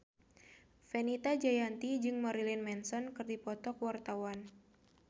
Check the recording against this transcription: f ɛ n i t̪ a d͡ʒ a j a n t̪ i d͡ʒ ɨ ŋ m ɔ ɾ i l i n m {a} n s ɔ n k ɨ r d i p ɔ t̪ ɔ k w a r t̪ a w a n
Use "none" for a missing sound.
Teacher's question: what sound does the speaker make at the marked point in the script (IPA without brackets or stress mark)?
ɛ